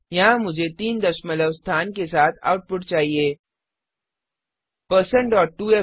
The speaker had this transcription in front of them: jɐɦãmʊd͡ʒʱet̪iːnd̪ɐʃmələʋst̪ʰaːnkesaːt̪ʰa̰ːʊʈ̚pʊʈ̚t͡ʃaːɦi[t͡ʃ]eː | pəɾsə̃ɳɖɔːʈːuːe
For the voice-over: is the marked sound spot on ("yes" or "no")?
no